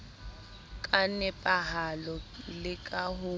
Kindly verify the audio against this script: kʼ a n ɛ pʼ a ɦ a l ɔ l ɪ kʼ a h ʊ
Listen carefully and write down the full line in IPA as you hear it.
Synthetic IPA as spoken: kʼ a n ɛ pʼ a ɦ a l ɔ l ɪ kʼ a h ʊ